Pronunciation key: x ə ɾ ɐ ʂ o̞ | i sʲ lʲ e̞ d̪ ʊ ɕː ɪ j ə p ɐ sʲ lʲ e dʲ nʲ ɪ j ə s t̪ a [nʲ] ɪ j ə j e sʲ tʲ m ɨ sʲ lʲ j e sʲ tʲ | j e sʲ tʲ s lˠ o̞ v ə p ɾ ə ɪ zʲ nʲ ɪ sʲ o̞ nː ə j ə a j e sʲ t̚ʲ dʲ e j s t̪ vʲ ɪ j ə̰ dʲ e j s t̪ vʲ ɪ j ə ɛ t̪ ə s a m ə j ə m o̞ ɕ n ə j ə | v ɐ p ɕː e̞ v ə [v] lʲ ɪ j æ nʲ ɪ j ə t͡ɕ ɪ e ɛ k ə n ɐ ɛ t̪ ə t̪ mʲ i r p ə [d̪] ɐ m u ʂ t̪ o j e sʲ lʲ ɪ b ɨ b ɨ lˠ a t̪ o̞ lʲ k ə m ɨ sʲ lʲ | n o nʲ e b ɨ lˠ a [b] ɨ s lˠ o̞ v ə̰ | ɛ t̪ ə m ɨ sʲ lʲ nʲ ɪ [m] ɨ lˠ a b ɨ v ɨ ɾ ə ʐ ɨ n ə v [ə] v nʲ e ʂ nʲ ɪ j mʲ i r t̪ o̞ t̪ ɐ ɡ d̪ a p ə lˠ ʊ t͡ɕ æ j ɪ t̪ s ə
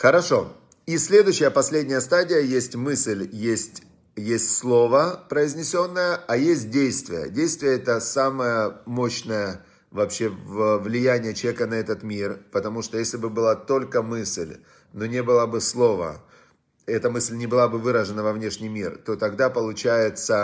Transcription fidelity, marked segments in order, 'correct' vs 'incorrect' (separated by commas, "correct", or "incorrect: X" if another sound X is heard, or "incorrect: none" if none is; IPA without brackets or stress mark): incorrect: dʲ, correct, incorrect: t̪, correct, incorrect: b, incorrect: ɐ